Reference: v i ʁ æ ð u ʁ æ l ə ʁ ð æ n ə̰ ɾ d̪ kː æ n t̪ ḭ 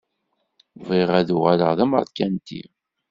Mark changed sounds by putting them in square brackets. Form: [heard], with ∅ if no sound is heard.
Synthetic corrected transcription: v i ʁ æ ð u ʁ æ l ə ʁ ð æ [m] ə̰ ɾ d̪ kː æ n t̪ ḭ